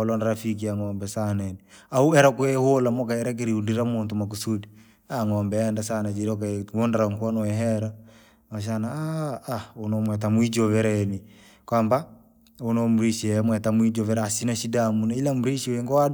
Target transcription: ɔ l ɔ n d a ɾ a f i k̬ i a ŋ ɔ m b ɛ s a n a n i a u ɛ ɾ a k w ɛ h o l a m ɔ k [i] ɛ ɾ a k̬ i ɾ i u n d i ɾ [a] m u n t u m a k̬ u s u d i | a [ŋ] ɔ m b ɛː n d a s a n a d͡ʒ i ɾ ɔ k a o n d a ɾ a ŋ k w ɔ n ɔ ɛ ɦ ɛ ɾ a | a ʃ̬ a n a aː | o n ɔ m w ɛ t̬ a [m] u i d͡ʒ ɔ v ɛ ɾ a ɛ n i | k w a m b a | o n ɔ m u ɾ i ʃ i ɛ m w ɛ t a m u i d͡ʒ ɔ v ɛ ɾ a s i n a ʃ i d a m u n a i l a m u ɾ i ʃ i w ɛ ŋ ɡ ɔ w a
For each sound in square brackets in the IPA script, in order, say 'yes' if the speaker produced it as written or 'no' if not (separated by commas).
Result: no, yes, yes, yes